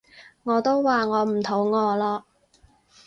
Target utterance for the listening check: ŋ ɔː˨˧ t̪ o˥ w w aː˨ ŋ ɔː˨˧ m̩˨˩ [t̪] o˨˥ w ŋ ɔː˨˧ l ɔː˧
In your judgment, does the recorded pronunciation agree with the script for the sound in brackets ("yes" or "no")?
no